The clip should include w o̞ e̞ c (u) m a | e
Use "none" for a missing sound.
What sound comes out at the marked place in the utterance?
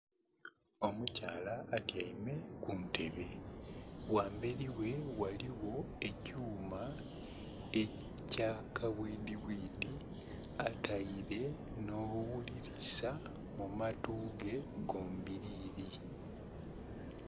uː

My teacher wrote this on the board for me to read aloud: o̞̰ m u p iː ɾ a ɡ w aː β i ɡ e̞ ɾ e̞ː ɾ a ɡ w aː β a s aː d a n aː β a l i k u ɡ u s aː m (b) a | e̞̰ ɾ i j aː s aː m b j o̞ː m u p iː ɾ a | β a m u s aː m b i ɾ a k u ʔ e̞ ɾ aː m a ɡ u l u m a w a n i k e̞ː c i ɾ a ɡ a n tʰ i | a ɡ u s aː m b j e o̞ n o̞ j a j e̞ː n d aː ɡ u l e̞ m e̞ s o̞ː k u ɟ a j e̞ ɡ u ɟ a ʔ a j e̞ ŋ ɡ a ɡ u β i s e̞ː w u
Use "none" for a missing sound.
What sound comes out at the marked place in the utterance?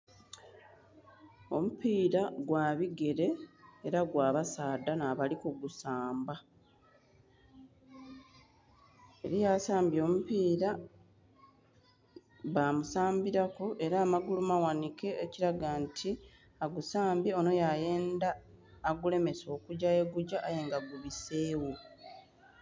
b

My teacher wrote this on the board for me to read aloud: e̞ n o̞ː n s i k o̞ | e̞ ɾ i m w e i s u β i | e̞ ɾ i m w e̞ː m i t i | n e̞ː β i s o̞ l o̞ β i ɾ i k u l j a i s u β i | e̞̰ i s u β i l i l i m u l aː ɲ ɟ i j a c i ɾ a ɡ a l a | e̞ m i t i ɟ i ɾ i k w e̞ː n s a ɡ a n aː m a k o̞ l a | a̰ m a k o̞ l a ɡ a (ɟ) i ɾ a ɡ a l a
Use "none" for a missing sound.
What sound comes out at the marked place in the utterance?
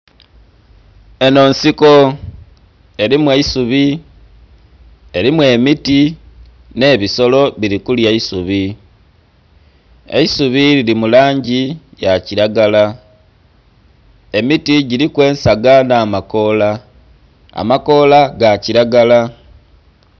c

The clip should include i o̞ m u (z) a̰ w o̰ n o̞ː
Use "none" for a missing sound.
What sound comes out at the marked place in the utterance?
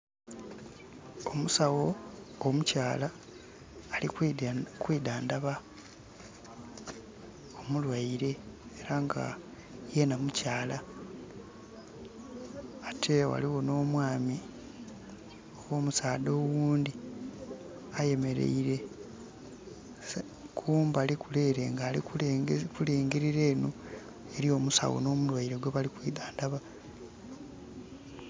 s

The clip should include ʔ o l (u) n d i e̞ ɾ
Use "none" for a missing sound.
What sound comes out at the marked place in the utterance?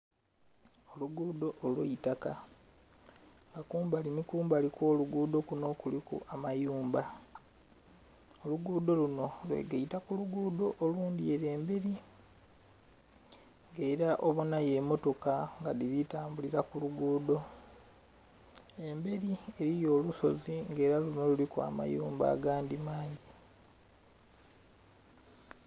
uː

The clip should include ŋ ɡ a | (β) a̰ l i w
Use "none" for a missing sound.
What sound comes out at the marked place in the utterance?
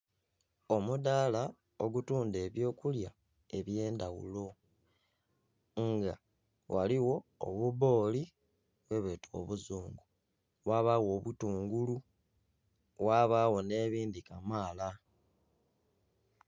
w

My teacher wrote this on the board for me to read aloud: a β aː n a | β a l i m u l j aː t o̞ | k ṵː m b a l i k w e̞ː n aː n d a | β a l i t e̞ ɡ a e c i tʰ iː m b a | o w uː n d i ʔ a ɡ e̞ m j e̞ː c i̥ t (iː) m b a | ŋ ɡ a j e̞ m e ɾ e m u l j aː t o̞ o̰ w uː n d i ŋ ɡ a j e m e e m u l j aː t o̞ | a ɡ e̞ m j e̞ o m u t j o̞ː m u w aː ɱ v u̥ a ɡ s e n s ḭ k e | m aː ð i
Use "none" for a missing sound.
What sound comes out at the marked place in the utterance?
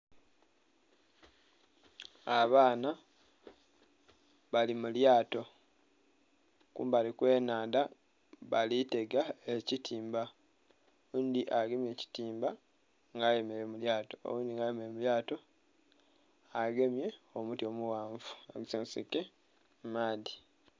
iː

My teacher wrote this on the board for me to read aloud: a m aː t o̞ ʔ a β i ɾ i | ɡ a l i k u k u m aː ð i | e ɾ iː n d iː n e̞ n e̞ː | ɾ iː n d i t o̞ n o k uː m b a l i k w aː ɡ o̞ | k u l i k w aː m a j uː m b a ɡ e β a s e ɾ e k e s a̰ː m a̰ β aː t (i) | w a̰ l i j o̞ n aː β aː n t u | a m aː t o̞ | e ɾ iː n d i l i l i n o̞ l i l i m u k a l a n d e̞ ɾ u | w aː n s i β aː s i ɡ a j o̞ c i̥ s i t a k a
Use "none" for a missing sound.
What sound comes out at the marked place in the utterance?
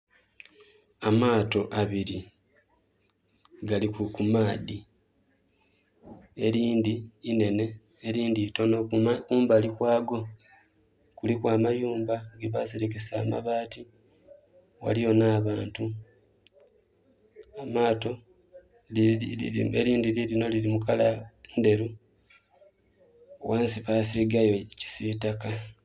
i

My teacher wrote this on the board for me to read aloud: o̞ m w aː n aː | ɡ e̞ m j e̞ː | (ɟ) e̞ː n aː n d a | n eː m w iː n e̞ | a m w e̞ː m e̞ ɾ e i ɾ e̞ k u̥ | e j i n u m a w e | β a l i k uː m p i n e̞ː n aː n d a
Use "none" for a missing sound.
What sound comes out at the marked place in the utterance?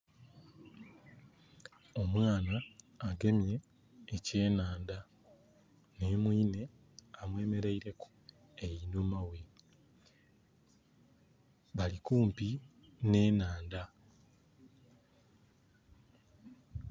c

